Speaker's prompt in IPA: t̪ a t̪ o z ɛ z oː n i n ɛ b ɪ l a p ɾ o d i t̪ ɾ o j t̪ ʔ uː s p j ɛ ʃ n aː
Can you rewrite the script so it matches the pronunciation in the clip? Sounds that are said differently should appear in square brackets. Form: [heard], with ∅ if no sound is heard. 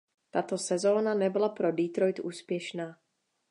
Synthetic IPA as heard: t̪ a t̪ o [s] ɛ z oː n [a] n ɛ b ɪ l a p ɾ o d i t̪ ɾ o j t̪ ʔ uː s p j ɛ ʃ n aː